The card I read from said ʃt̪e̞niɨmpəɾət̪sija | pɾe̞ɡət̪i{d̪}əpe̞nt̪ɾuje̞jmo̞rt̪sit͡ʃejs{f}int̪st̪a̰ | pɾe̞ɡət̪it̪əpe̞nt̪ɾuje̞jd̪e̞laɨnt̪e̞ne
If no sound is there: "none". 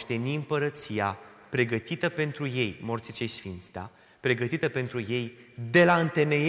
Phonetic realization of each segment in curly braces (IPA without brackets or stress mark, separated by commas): t̪, f